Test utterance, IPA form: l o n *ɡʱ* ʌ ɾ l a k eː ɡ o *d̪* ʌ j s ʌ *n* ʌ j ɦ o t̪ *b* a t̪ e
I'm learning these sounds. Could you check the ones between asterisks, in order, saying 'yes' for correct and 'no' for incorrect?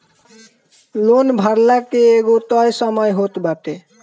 no, no, no, yes

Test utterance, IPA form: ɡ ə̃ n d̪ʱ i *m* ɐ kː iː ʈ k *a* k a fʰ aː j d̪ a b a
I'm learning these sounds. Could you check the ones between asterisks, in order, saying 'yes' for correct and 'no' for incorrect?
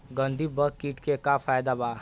no, no

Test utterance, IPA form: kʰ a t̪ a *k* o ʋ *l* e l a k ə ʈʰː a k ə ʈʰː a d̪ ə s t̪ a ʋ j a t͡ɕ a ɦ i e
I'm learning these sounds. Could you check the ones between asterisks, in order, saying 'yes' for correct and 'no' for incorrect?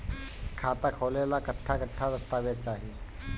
no, yes

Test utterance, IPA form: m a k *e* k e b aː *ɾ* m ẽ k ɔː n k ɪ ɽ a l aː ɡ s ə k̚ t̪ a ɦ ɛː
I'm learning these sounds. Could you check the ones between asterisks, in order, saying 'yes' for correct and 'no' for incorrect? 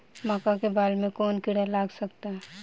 no, no

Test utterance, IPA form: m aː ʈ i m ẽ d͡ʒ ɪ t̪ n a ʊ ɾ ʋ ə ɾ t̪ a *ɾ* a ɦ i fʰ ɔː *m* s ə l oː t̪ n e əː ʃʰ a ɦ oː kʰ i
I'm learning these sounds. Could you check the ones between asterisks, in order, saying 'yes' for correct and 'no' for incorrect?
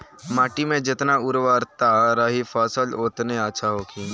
yes, no

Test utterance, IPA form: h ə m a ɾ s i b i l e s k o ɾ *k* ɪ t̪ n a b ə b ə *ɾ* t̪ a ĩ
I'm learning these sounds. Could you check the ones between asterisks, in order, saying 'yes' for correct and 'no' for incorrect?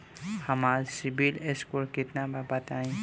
yes, no

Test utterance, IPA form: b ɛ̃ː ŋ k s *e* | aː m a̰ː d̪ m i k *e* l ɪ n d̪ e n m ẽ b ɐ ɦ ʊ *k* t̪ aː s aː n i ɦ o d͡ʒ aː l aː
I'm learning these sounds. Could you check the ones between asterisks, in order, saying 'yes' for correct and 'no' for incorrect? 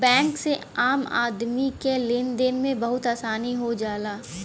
yes, yes, no

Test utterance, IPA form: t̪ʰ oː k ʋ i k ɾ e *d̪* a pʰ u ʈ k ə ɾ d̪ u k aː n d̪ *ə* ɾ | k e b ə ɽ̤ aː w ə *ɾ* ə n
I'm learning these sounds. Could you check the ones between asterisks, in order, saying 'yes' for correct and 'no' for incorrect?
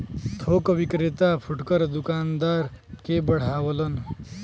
no, no, no

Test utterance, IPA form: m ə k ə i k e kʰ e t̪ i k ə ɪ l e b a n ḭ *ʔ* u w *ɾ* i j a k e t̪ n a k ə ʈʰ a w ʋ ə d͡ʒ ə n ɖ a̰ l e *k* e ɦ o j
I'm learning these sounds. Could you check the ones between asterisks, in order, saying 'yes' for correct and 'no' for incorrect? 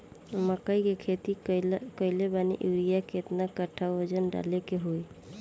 yes, yes, yes

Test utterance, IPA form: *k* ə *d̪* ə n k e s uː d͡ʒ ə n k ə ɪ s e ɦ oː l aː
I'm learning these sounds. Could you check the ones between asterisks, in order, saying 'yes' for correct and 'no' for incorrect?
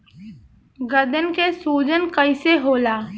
no, yes

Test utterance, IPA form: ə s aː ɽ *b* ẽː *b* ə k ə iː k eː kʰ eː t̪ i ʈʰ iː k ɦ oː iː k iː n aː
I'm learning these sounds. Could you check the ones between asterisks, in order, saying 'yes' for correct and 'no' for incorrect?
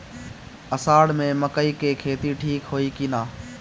no, no

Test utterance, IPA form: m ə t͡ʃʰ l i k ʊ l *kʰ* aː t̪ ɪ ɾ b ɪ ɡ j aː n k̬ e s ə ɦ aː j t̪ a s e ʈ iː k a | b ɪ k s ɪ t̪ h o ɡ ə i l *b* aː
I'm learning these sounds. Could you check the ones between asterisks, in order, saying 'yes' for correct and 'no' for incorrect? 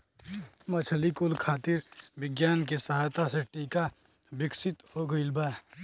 yes, yes

